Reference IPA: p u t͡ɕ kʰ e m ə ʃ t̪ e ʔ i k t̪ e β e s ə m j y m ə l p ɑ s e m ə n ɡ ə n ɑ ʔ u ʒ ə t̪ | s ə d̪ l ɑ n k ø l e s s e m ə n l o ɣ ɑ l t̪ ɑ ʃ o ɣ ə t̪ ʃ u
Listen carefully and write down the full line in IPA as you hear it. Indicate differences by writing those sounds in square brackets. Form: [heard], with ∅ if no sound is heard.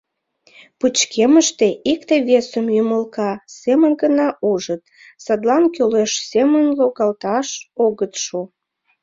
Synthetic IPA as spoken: p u t͡ɕ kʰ e m ə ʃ t̪ e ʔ i k t̪ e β e s ə m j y m ə l [k] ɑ s e m ə n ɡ ə n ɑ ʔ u ʒ ə t̪ | s [ɑ] d̪ l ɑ n k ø l e [ʃ] s e m ə n l o ɣ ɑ l t̪ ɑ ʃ o ɣ ə t̪ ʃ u